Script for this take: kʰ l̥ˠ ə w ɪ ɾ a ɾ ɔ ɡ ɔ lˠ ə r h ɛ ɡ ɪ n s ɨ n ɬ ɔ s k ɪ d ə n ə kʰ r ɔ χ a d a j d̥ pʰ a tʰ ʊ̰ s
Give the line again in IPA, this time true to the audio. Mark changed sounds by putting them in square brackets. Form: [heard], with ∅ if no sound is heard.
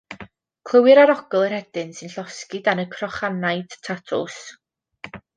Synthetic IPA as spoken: kʰ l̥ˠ ə w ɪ ɾ a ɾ ɔ ɡ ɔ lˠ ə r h ɛ [d] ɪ n s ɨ n ɬ ɔ s k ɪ d [a] n ə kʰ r ɔ χ a [n] a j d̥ [tʰ] a tʰ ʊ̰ s